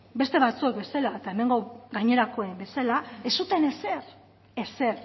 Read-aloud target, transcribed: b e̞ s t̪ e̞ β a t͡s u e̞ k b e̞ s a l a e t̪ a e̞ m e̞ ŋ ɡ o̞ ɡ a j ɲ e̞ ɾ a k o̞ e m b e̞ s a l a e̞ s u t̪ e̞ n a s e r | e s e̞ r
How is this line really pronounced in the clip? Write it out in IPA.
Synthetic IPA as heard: b e̞ s t̪ e̞ β a t͡s u e̞ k b e̞ s a l a e t̪ a e̞ m e̞ ŋ ɡ o̞ ɡ a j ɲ e̞ ɾ a k o̞ e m b e̞ s a l a e̞ s u t̪ e̞ n e s e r | e s e̞ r